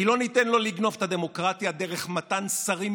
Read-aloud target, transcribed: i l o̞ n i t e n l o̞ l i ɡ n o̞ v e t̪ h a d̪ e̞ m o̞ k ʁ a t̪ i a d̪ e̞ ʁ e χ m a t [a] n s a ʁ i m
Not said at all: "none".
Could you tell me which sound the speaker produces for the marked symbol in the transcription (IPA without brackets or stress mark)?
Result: a